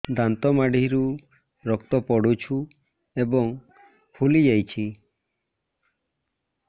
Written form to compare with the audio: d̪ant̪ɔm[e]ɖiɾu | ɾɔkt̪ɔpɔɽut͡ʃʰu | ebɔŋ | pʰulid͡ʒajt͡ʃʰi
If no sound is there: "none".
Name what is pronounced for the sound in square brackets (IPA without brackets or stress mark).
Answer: a